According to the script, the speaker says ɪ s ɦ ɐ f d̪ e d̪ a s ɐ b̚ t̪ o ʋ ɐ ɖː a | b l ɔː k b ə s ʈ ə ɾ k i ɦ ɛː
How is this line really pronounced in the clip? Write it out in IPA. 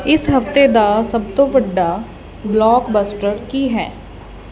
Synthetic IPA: ɪ s ɦ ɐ f t̪ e d̪ a s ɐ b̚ t̪ o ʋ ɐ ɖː a | b l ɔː k b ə s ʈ ə ɾ k i ɦ ɛː